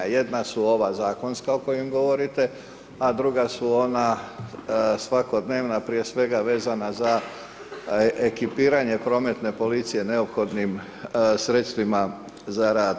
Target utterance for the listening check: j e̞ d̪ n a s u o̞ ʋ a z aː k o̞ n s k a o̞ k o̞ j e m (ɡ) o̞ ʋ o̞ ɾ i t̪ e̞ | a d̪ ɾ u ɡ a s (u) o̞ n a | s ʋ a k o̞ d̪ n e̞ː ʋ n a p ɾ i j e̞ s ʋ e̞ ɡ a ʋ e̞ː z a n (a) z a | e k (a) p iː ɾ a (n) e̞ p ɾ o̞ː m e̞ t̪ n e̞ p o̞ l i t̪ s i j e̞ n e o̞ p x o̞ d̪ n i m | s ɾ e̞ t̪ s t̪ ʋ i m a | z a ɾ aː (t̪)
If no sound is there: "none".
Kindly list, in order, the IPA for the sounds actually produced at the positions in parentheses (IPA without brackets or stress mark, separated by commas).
ɡ, u, a, i, ɲ, d̪